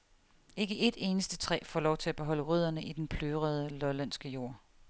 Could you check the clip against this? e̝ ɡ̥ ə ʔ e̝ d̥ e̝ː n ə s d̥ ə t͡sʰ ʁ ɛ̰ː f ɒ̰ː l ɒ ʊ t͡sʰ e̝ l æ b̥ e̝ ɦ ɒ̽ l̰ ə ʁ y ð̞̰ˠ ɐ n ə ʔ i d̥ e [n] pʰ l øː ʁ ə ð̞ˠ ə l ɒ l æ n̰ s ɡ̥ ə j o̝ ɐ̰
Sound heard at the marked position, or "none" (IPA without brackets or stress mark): n